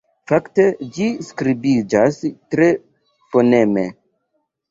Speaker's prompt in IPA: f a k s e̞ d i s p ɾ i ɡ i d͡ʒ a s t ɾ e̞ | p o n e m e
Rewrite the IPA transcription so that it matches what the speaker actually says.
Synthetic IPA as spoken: f a k t e̞ d͡ʒ i s k ɾ i b i d͡ʒ a s t ɾ e̞ | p o n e m e